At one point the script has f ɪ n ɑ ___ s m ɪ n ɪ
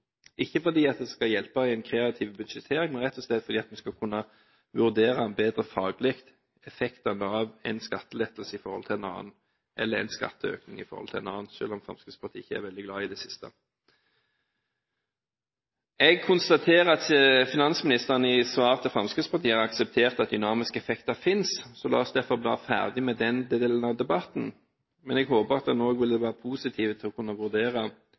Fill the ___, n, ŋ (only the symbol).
n